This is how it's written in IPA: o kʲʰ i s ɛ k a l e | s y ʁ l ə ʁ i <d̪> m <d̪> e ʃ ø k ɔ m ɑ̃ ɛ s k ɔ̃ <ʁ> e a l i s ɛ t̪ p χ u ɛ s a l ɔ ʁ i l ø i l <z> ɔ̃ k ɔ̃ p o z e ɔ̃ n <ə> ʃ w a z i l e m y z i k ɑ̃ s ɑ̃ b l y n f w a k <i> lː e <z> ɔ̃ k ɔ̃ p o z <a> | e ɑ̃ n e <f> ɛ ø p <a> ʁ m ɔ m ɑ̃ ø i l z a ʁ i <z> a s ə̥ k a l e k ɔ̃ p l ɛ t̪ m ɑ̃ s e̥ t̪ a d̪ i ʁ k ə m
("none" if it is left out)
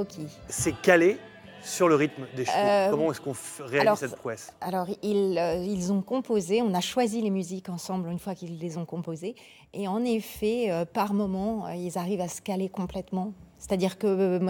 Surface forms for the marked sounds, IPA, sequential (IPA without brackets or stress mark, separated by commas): t̪, d̪, ʁ, z, a, i, z, e, f, a, v